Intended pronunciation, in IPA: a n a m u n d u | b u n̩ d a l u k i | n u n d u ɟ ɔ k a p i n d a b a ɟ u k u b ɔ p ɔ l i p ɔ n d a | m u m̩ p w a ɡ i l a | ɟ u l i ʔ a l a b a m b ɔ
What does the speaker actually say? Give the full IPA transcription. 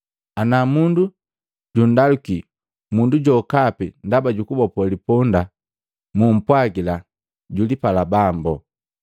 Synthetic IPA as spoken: a n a m u n d u | ɟ u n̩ d a l u k i | m u n d u ɟ ɔ k a p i n d a b a ɟ u k u b ɔ p ɔ l i p ɔ n d a | m u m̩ p w a ɡ i l a | ɟ u l i p a l a b a m b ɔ